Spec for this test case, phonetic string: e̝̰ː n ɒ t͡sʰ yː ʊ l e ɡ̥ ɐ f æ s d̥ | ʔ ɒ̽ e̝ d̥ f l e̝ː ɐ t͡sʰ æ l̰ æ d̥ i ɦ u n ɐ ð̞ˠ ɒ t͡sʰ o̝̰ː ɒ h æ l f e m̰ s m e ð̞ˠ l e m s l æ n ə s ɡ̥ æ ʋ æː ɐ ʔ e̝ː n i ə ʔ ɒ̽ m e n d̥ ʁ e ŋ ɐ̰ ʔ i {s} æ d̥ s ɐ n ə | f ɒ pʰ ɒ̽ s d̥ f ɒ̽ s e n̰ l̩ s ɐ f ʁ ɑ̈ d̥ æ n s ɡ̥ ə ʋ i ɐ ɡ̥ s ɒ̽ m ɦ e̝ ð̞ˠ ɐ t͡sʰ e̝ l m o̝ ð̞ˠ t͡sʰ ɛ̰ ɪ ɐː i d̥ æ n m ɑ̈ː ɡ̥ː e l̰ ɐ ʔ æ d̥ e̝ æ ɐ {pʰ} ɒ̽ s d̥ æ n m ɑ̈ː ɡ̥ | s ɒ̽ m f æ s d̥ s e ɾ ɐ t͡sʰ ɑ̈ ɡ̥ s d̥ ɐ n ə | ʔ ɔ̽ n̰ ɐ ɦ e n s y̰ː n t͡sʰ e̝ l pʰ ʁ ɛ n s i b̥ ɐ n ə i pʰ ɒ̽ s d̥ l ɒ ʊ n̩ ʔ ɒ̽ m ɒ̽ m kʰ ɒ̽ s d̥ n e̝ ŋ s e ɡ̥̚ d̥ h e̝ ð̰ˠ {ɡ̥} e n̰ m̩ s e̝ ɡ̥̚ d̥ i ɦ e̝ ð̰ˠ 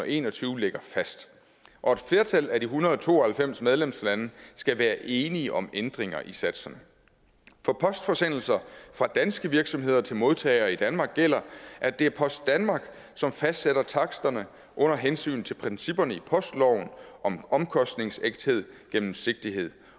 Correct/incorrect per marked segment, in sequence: correct, correct, correct

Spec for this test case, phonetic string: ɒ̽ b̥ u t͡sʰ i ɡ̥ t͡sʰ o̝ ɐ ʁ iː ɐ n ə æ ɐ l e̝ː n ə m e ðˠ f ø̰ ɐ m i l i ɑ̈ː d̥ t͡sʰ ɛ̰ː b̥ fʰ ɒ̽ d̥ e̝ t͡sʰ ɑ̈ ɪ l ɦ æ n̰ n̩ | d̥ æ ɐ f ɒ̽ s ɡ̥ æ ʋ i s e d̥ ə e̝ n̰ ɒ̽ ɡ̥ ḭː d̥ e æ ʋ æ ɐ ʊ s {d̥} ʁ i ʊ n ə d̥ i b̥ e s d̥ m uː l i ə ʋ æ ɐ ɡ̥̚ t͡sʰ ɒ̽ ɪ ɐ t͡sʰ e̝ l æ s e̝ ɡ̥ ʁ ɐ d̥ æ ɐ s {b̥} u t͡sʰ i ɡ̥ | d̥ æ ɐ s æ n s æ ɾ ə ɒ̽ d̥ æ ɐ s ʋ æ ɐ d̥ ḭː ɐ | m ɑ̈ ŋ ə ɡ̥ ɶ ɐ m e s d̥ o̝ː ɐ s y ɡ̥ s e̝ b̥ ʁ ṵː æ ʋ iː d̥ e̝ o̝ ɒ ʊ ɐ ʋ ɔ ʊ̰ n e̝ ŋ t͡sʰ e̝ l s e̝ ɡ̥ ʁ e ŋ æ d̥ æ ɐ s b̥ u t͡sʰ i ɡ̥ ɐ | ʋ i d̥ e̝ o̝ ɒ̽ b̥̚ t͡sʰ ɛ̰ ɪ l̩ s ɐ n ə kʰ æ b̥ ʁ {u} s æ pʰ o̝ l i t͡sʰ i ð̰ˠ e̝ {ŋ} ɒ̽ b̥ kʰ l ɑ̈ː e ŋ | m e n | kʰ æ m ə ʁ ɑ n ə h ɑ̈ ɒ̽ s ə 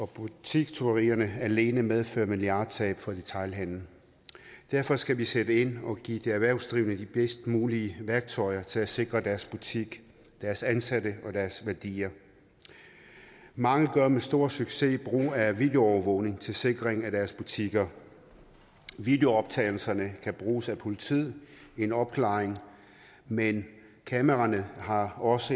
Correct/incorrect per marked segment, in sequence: correct, correct, incorrect, incorrect

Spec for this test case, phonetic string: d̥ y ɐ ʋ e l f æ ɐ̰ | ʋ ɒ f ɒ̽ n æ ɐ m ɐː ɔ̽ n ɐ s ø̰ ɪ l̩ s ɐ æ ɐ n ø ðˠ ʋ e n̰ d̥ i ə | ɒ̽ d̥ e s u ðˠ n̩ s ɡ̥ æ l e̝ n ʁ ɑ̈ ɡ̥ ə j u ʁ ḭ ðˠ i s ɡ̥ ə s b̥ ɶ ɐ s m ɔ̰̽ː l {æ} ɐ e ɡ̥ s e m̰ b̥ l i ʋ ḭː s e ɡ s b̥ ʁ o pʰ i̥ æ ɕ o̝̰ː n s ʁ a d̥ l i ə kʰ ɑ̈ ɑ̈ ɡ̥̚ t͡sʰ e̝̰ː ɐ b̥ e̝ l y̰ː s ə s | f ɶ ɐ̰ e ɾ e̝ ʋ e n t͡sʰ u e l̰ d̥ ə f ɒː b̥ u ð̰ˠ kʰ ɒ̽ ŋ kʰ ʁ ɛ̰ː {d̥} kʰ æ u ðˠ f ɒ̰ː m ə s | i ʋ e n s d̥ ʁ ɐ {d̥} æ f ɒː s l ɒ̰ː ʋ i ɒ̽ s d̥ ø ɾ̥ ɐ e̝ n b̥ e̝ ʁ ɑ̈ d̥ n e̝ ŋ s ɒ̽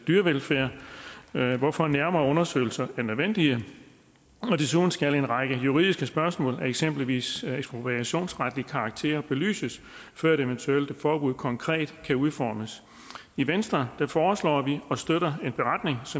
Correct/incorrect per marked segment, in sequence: correct, correct, correct

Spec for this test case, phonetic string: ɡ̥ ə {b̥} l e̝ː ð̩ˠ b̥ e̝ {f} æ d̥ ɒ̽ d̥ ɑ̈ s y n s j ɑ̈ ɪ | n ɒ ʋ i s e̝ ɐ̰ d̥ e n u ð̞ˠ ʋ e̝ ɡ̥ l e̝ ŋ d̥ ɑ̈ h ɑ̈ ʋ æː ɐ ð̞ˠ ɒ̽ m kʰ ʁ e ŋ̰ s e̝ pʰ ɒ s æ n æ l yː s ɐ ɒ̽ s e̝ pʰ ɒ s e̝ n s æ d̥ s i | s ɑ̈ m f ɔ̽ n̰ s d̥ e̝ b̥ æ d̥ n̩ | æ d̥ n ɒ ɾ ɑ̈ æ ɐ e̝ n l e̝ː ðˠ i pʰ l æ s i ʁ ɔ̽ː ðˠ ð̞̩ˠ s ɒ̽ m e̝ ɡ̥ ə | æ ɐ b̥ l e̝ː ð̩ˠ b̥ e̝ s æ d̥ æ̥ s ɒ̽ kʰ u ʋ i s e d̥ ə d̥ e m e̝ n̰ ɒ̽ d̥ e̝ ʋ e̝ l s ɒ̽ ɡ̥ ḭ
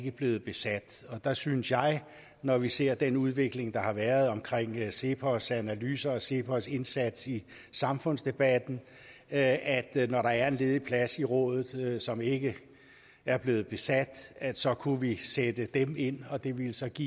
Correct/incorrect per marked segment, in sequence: correct, incorrect

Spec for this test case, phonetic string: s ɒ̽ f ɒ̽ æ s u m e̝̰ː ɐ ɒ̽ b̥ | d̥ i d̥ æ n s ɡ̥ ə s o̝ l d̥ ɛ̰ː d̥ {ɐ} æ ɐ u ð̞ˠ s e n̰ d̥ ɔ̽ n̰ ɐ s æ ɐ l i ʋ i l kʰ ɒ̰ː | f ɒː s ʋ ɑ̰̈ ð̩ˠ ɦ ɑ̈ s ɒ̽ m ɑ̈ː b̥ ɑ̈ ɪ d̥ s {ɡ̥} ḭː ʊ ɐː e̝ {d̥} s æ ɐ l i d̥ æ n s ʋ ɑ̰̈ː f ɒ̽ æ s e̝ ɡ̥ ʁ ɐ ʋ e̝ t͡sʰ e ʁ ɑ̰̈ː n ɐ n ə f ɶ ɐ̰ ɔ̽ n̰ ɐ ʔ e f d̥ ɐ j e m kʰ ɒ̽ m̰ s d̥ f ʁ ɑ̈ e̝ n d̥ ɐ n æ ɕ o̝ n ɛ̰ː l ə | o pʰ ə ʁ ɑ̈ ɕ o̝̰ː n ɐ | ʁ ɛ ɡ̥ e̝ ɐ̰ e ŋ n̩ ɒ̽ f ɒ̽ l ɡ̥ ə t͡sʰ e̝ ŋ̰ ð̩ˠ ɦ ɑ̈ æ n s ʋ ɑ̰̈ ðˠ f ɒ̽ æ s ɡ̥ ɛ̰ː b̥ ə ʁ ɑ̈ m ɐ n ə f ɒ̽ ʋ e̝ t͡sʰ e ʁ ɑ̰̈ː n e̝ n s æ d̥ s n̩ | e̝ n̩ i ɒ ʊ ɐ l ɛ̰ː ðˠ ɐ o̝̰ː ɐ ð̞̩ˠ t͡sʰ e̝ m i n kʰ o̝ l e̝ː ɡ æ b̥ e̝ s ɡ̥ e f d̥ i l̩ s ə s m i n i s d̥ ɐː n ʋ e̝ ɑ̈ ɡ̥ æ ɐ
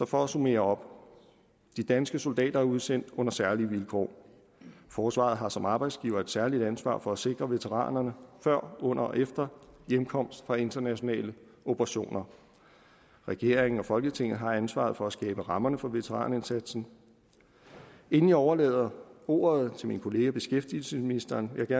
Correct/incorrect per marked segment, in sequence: correct, correct, correct

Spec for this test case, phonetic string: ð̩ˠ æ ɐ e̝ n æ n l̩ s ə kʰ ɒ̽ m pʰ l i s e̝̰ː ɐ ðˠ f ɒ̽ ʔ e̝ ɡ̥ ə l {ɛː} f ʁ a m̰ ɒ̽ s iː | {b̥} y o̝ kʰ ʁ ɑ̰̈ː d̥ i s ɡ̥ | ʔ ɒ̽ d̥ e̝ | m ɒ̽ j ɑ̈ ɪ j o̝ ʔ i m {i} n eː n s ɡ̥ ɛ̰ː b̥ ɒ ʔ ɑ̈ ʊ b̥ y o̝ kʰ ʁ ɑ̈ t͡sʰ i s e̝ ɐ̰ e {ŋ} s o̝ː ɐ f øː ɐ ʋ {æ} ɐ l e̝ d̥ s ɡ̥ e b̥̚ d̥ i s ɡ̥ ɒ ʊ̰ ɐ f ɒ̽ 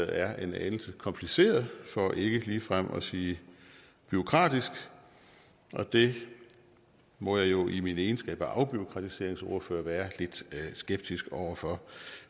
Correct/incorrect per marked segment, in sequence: incorrect, correct, correct, correct, incorrect

